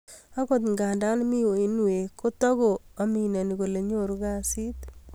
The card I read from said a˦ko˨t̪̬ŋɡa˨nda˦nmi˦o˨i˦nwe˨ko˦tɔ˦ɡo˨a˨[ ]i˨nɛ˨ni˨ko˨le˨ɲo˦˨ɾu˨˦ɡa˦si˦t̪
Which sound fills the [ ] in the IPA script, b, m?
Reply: m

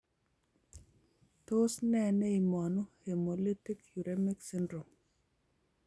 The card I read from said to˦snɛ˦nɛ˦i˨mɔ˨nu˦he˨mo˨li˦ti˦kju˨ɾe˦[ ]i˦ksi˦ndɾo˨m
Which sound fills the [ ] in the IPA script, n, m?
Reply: m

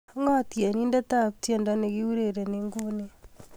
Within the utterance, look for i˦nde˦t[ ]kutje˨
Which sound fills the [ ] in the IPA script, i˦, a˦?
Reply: a˦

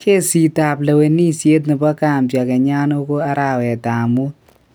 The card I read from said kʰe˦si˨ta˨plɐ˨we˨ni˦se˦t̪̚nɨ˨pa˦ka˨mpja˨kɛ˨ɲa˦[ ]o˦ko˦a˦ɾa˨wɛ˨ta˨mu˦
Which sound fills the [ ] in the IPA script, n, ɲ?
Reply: n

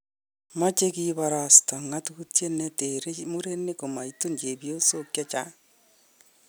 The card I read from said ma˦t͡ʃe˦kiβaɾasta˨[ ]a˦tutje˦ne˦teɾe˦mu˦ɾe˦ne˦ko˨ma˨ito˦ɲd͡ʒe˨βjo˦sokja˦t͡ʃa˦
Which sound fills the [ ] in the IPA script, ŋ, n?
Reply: ŋ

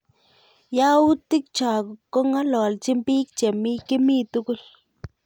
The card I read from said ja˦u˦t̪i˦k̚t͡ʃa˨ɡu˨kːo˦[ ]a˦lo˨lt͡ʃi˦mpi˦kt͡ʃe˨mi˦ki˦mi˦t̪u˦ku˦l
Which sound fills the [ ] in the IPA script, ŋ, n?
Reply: ŋ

